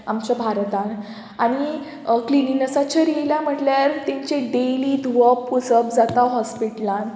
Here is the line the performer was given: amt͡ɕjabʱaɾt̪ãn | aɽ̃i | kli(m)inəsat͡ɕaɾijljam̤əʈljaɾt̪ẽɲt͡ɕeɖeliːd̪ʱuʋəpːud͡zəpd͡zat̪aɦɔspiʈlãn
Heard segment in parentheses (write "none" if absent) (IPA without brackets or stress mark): n